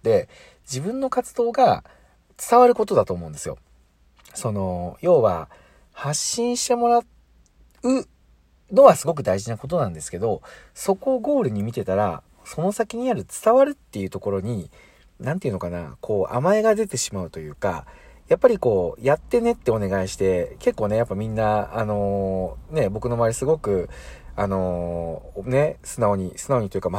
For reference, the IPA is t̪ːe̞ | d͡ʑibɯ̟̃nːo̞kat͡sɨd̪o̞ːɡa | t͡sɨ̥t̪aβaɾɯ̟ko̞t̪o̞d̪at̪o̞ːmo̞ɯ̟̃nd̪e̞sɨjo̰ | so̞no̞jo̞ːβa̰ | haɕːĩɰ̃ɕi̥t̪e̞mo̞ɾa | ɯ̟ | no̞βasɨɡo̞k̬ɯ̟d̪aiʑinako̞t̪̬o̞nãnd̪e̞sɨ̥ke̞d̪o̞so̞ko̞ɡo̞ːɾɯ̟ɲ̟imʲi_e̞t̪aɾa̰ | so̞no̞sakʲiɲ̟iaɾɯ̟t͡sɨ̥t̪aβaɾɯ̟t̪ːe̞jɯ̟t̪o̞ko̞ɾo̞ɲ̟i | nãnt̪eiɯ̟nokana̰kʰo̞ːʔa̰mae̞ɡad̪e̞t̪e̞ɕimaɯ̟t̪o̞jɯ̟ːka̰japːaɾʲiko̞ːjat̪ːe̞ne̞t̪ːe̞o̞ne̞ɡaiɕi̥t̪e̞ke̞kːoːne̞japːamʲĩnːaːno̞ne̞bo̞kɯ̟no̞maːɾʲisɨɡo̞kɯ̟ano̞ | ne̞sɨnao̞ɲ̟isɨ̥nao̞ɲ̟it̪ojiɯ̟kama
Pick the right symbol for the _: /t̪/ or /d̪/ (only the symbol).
t̪